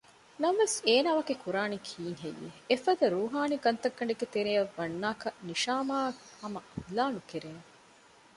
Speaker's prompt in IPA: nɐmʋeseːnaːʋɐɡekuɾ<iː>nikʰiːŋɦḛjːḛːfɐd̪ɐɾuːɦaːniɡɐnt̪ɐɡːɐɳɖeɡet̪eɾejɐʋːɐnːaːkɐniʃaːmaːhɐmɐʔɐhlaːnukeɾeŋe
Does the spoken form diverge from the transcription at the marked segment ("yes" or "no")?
yes